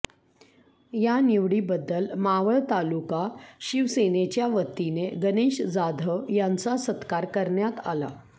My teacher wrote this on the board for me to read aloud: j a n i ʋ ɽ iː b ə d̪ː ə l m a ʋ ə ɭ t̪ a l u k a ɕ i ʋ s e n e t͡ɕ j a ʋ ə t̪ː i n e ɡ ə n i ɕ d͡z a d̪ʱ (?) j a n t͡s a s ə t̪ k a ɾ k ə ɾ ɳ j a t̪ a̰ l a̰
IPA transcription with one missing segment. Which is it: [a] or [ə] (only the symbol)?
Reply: ə